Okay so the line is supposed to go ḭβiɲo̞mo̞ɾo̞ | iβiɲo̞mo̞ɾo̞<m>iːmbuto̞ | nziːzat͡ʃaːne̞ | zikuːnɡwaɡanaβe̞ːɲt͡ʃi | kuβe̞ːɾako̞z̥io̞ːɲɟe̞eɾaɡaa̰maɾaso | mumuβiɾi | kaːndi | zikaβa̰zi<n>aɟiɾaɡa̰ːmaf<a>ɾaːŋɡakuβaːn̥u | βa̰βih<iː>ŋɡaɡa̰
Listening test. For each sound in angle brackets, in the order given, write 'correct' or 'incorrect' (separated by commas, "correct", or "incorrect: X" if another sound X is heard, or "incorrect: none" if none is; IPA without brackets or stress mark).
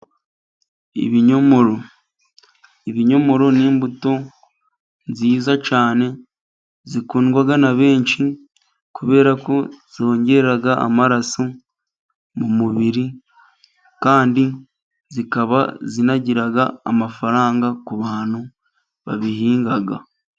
incorrect: n, correct, correct, correct